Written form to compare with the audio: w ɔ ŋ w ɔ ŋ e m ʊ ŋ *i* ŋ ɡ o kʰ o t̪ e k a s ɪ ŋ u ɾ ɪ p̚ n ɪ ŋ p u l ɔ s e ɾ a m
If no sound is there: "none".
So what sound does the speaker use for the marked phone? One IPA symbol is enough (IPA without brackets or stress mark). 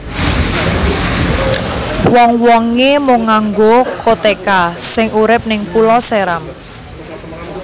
a